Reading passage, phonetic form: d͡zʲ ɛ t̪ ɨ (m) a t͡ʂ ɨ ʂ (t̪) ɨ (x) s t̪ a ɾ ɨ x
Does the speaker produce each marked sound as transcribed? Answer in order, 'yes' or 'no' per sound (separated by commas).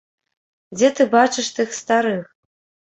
no, yes, yes